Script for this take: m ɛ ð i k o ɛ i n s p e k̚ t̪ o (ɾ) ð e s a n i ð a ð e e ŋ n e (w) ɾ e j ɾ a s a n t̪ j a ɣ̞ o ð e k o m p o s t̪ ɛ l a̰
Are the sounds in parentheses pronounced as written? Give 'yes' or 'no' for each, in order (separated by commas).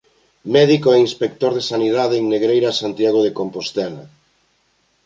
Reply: yes, no